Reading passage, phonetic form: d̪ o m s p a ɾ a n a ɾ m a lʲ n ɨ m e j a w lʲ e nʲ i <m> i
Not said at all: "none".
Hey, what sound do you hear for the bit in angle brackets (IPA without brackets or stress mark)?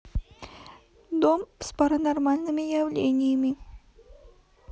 m